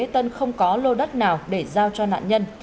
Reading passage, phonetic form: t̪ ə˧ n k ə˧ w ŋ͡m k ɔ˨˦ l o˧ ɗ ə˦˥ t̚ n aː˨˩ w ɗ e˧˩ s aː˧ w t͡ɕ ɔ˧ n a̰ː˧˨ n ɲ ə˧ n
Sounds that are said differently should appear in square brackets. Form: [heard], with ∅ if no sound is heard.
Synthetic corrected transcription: t̪ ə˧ n [x] ə˧ w ŋ͡m k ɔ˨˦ l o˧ ɗ ə˦˥ t̚ n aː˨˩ w ɗ e˧˩ [z] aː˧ w t͡ɕ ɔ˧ n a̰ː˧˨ n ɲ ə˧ n